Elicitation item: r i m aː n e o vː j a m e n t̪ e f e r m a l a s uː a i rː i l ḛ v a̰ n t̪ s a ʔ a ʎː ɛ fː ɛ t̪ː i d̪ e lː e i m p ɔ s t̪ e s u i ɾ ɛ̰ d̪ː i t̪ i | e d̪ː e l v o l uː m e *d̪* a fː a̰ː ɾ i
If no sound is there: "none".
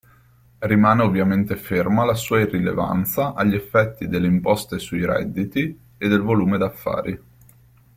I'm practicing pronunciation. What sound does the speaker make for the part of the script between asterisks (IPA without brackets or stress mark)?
d̪